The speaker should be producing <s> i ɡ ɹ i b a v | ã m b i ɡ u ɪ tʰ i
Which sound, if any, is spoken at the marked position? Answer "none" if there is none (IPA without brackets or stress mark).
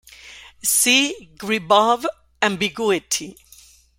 s